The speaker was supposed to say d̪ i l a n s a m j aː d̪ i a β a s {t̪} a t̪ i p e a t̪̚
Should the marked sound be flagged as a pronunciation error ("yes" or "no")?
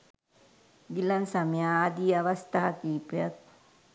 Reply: no